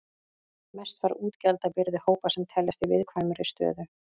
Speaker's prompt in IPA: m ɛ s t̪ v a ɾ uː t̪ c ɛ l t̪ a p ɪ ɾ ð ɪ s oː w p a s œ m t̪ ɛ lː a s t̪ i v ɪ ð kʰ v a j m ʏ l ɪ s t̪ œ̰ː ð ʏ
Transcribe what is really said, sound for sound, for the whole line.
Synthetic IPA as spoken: m ɛ s t̪ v a ɾ uː t̪ c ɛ l t̪ a p ɪ ɾ ð ɪ h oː w p a s ɛ m t̪ʰ ɛ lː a s t̪ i v ɪ ð kʰ v a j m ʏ ɾ ɪ s t̪ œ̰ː ð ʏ

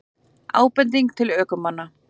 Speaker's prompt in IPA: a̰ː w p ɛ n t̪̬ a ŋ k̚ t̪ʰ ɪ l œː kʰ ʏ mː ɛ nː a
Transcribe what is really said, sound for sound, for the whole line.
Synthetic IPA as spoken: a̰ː w p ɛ n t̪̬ i ŋ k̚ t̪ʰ ɪ l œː k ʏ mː a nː a

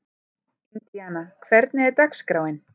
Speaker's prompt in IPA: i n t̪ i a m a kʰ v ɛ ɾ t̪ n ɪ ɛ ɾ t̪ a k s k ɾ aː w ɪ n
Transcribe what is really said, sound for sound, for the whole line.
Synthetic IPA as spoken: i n t̪ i a n a kʰ v ɛ ɾ t̪ n ɪ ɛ ɾ t̪ a k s k ɾ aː w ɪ n

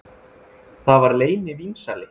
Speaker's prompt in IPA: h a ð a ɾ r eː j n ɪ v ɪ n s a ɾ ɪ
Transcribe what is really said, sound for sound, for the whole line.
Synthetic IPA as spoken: θ a v a ɾ l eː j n ɪ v i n s a l ɪ

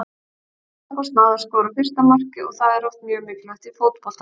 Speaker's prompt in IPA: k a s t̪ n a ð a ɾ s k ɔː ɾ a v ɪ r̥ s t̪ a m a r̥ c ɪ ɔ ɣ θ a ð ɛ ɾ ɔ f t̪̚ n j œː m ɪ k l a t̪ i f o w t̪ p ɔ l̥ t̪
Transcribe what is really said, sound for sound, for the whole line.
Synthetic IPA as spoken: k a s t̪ n a ð a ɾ s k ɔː ɾ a f ɪ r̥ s t̪ a m a r̥ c ɪ ɔ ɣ θ a ð ɛ ɾ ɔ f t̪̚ m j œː m ɪ k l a t̪ i f o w t̪ p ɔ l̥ t̪

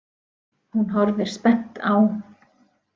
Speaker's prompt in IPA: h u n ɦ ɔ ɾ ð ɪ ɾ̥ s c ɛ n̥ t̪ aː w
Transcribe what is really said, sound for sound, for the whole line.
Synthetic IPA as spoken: h u n ɦ ɔ ɾ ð ɪ ɾ̥ s p ɛ n̥ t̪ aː w

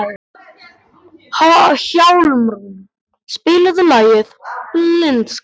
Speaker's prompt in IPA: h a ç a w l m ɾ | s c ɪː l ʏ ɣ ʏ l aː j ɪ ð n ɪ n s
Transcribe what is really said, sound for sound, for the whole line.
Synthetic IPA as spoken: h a ç a w l m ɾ | s p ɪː l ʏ ð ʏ l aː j ɪ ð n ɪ n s

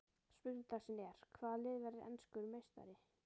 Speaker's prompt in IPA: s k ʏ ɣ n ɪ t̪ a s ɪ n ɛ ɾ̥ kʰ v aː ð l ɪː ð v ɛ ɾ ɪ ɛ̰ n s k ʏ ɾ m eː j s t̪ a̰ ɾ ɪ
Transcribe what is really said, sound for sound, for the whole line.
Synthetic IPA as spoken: s p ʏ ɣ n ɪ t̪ a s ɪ n ɛ ɾ̥ kʰ v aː ð l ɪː ð v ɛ ɾ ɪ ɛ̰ n s k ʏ ɾ m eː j s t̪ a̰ ɾ ɪ

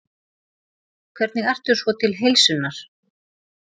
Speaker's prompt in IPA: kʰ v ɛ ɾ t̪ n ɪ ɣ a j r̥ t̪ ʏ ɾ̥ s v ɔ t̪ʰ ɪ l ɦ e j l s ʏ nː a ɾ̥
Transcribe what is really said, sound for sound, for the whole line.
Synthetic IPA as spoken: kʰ v ɛ ɾ t̪ n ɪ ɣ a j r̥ t̪ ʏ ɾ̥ s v ɔ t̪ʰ ɪ l ɦ e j l s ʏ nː a ɾ̥

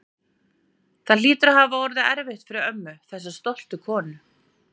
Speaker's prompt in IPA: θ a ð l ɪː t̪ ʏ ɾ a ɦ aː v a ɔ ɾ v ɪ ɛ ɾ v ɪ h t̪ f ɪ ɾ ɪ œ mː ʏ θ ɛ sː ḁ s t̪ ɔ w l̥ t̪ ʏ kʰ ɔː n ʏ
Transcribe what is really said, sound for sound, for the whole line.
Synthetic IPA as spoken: θ a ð l iː t̪ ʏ ɾ a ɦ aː v a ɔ ɾ ð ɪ ɛ ɾ v ɪ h t̪ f ɪ ɾ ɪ œ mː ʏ θ ɛ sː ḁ s t̪ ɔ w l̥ t̪ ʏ kʰ ɔː n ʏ

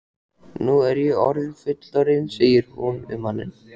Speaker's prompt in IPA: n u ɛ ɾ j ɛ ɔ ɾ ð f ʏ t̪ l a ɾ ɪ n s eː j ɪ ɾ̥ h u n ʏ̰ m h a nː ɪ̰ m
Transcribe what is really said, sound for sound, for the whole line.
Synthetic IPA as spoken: n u ɛ ɾ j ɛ ɔ ɾ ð f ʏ t̪ l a ɾ ɪ n s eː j ɪ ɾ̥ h u n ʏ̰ m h a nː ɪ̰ n

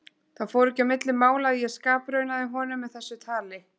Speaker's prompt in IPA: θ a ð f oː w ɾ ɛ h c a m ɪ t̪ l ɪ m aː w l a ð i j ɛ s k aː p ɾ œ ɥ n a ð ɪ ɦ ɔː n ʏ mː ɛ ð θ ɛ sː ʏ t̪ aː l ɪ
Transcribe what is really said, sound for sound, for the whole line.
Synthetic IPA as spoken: θ a ð f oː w ɾ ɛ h c a m ɪ t̪ l ɪ m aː w l a ð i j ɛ s k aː p ɾ œ ɥ n a ð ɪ ɦ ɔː n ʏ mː ɛ ð θ ɛ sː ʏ t̪ʰ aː l ɪ

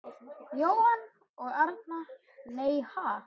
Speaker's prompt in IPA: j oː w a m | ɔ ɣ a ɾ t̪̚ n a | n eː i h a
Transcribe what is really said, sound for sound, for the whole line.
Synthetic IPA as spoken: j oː w a n | ɔ ɣ a ɾ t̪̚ n a | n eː j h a

